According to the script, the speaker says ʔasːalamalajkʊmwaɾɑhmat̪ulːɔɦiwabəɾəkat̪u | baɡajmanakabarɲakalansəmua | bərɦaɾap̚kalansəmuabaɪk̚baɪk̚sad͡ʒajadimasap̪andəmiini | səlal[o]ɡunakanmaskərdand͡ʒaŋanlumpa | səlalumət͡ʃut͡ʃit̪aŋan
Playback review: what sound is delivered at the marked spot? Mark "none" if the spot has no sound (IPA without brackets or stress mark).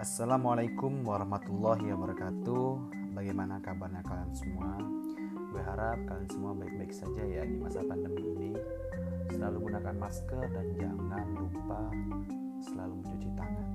u